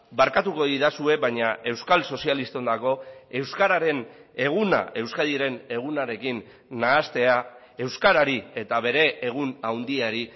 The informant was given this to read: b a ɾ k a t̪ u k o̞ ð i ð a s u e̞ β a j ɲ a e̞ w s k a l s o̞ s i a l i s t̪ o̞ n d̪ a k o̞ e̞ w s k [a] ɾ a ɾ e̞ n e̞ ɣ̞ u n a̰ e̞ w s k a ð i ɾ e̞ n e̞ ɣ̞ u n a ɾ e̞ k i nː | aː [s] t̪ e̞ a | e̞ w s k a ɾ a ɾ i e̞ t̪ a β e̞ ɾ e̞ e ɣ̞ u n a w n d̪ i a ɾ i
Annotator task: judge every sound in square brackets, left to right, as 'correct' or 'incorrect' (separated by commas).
correct, correct